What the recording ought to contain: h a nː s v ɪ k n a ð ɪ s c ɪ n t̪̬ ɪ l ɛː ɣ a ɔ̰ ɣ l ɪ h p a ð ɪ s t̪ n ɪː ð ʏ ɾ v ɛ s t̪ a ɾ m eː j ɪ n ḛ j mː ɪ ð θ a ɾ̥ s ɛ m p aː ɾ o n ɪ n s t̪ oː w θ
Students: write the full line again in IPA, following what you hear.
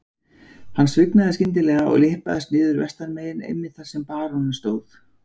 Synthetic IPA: h a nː s v ɪ k n a ð ɪ s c ɪ n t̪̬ ɪ l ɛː ɣ a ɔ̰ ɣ l ɪ h p a ð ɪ s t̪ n ɪː ð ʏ ɾ v ɛ s t̪ a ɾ m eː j ɪ n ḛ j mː ɪ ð θ a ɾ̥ s ɛ m p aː ɾ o n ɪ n s t̪ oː w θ